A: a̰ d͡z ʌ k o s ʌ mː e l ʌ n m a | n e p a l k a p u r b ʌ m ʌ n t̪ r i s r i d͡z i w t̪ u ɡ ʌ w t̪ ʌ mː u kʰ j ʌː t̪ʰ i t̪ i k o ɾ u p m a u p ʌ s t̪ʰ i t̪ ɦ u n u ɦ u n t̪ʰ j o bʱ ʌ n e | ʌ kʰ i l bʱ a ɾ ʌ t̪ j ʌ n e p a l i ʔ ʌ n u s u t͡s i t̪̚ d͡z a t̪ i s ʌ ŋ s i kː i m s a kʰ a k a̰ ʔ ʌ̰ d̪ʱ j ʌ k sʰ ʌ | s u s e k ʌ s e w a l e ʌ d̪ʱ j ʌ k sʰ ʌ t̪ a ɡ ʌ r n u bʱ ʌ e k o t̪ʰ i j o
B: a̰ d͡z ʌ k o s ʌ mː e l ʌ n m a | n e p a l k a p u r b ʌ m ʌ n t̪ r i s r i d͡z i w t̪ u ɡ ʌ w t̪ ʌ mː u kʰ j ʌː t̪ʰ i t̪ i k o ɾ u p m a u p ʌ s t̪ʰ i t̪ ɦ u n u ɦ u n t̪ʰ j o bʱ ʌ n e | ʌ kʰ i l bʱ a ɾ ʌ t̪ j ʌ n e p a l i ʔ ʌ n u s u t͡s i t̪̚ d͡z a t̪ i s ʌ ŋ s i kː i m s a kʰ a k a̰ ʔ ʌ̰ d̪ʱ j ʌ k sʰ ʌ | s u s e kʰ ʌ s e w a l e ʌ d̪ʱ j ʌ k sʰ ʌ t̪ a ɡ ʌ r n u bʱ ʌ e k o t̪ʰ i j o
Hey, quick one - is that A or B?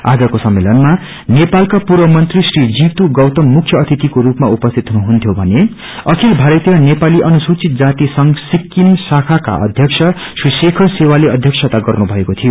B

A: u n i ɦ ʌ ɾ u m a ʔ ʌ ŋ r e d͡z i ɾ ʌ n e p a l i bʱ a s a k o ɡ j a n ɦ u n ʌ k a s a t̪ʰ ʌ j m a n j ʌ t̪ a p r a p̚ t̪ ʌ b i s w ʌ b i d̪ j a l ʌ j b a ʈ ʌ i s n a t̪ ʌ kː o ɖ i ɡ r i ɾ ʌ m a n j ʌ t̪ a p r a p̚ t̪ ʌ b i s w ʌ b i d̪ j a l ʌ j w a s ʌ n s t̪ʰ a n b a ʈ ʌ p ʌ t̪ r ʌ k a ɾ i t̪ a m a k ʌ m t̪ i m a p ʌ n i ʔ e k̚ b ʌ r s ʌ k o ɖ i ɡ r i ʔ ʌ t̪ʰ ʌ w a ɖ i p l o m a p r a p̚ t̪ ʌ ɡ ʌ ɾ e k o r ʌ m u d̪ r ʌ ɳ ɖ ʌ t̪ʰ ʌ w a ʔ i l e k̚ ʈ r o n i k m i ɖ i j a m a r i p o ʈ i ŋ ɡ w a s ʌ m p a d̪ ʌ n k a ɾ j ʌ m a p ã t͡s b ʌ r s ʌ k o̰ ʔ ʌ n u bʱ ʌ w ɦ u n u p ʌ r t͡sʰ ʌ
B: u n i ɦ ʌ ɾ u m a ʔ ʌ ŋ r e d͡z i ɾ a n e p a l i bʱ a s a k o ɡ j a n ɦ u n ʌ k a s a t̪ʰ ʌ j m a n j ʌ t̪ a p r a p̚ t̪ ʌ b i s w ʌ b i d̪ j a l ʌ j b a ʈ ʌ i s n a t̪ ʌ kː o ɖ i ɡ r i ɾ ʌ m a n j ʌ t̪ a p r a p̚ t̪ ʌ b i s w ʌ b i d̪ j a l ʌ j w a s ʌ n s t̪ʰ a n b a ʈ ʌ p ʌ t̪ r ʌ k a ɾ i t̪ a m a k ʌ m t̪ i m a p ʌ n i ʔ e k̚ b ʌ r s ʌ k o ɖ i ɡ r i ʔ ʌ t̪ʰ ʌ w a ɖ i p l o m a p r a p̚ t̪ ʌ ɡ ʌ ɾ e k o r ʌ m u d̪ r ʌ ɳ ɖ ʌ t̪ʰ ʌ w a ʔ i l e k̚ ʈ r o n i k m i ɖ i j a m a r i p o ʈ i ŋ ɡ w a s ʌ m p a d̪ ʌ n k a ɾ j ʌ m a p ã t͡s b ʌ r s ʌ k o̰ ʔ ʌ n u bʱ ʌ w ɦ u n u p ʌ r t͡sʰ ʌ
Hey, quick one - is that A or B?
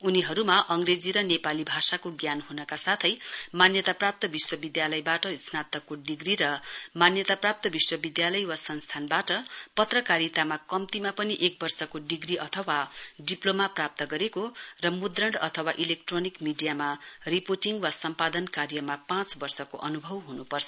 A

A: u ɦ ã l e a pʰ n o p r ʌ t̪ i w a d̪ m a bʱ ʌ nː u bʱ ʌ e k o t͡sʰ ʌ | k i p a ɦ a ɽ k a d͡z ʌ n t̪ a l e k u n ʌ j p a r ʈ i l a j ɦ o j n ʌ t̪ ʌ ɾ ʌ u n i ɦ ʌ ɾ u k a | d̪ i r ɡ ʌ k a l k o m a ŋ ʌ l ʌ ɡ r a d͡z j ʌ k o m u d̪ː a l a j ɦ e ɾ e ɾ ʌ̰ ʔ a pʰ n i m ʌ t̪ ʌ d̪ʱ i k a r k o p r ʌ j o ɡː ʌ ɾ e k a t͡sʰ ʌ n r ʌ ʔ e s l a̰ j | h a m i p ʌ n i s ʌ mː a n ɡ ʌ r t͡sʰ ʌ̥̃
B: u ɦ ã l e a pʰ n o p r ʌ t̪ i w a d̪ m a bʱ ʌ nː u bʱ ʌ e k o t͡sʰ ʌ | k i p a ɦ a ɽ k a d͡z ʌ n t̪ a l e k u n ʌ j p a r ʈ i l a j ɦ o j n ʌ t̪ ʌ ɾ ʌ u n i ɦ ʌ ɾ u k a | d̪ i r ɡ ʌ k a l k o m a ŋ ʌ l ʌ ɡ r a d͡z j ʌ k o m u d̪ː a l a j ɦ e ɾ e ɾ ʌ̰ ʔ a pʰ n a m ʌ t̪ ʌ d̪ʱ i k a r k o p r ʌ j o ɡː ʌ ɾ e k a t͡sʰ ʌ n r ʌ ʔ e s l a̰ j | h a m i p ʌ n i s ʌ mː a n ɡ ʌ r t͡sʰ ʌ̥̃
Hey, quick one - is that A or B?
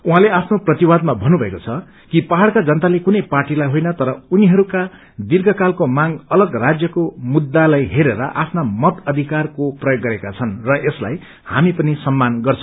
B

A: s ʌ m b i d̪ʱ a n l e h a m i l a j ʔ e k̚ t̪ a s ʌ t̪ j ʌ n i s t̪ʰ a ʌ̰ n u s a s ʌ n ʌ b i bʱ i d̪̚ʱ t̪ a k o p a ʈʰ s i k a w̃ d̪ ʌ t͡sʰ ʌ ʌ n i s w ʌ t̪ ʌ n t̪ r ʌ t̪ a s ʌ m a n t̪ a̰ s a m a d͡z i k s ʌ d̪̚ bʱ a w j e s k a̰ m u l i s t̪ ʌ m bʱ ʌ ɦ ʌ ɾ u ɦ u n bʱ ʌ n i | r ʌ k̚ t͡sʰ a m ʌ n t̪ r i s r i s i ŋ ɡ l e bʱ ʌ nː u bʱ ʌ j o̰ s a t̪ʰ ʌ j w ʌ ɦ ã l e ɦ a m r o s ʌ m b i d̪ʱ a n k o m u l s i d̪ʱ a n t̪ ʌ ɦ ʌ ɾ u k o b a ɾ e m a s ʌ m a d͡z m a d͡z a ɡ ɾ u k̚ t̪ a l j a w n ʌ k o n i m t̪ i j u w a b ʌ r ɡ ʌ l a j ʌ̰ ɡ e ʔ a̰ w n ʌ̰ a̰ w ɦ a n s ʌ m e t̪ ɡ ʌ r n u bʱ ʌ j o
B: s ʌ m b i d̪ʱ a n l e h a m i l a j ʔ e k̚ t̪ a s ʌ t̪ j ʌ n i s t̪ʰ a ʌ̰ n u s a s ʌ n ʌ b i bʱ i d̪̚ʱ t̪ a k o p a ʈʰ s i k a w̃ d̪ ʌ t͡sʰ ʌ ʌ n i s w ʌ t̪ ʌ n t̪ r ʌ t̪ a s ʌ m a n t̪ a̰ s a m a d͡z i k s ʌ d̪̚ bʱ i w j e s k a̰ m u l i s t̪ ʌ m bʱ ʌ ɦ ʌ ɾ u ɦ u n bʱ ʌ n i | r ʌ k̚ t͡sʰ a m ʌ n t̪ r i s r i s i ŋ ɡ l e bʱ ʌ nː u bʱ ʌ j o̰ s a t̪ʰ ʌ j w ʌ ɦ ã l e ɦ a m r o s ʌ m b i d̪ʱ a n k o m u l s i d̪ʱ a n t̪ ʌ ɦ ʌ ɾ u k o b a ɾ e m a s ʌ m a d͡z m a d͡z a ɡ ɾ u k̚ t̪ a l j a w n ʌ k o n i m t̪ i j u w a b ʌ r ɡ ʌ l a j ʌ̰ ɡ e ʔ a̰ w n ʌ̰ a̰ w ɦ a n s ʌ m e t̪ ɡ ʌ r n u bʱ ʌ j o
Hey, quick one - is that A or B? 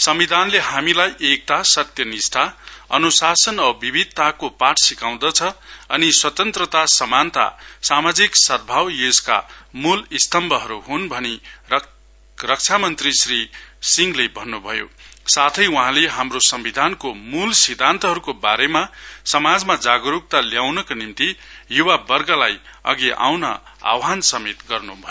A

